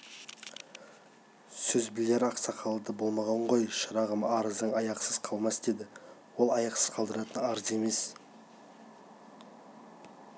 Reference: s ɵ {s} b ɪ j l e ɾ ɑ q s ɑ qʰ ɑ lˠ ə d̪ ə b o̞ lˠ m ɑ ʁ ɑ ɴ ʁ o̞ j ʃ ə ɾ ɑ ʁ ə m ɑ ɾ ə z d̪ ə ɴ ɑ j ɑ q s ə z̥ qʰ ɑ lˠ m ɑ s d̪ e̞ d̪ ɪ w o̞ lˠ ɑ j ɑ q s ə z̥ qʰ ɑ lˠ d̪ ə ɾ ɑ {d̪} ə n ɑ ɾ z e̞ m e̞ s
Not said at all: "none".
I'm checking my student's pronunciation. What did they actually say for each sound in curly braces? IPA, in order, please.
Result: z, t̪

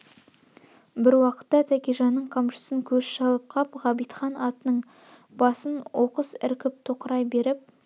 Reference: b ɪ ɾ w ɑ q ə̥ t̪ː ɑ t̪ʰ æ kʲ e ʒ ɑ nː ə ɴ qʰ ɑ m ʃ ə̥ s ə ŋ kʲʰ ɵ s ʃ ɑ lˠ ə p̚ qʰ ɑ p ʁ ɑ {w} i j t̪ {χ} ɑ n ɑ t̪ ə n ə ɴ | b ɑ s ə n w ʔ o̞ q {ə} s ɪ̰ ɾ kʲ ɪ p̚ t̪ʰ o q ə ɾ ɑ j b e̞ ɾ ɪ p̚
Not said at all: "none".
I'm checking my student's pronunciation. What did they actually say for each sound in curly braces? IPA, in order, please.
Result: b, χ, ə

